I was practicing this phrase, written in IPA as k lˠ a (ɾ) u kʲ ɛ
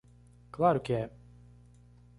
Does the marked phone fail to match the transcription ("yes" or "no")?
no